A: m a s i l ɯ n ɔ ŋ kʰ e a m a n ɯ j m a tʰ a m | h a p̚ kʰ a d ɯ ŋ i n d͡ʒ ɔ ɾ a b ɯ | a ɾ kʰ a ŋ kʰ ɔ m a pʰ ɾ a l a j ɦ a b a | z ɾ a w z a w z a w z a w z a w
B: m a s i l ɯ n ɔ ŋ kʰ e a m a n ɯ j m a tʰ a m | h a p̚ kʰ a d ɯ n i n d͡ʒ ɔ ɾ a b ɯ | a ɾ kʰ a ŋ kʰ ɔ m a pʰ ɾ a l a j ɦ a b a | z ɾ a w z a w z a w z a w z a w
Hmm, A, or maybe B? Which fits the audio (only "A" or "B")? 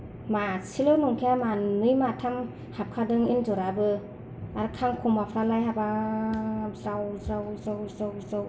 A